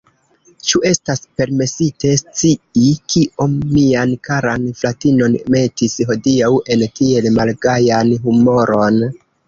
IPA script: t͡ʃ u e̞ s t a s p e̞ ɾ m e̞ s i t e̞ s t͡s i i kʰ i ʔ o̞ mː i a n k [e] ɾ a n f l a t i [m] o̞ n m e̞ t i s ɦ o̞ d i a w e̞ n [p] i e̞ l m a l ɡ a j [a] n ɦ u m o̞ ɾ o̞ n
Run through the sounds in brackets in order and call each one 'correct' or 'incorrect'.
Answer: incorrect: a, incorrect: n, incorrect: t, correct

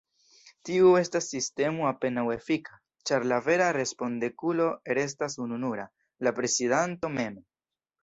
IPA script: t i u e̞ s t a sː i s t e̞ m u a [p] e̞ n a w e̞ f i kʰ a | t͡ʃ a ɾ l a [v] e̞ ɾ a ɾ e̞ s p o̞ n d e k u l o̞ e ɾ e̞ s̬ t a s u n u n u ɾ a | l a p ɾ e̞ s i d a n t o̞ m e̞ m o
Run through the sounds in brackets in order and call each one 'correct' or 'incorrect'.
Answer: correct, correct

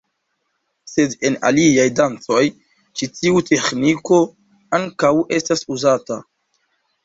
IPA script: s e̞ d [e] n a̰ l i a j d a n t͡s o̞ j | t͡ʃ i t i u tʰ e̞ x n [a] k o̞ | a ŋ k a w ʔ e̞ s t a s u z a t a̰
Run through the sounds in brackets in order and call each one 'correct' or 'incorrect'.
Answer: correct, incorrect: i

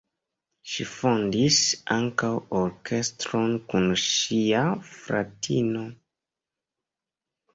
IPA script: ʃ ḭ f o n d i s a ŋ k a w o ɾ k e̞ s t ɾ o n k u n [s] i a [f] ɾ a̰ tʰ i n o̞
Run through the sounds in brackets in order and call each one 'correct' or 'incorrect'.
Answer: incorrect: ʃ, correct

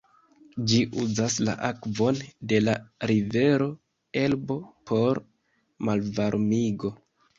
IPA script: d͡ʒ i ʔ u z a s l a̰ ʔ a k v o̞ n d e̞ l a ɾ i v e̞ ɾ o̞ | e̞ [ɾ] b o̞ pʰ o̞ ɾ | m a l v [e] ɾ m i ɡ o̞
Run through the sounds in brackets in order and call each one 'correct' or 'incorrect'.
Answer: incorrect: l, incorrect: a

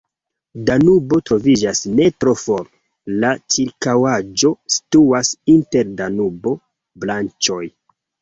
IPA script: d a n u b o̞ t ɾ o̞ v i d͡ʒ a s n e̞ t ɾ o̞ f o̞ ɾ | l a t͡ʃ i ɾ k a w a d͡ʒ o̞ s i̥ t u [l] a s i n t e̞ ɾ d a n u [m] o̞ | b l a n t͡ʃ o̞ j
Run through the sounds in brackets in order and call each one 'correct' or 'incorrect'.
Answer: incorrect: none, incorrect: b

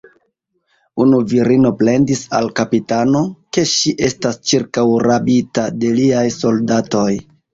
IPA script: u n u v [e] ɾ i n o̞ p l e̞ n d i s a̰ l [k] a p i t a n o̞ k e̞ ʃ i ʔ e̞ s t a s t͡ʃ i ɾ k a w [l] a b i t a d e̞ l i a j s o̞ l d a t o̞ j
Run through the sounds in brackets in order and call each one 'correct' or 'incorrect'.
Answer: incorrect: i, correct, incorrect: ɾ

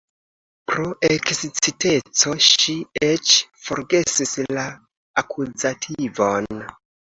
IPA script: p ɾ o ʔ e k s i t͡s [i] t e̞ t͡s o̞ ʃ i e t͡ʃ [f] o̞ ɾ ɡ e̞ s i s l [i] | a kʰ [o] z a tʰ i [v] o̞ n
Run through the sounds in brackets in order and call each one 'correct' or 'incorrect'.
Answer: correct, correct, incorrect: a, incorrect: u, correct

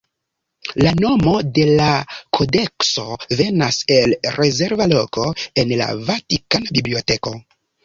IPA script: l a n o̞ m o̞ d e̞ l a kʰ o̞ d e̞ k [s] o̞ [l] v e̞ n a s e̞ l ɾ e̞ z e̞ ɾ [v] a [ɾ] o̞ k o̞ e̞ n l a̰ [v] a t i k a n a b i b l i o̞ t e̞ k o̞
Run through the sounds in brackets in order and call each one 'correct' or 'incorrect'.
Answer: correct, incorrect: none, correct, incorrect: l, correct

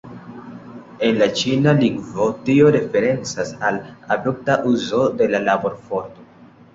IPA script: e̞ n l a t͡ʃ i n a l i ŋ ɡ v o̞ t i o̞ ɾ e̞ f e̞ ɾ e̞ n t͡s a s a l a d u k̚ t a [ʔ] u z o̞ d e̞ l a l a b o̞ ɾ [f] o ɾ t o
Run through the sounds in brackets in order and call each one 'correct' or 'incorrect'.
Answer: correct, correct

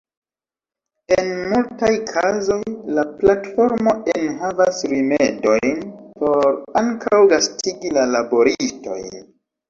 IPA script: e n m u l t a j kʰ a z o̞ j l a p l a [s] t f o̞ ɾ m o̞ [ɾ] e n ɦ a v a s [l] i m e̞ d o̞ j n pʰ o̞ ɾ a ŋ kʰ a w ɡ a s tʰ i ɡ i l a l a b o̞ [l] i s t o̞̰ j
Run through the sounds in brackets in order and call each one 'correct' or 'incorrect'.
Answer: incorrect: none, incorrect: none, incorrect: ɾ, incorrect: ɾ

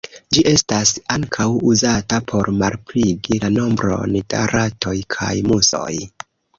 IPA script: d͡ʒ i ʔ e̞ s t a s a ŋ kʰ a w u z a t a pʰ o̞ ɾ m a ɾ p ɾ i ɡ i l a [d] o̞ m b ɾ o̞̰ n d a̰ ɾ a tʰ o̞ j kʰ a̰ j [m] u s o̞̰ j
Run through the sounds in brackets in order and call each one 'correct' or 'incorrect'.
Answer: incorrect: n, correct

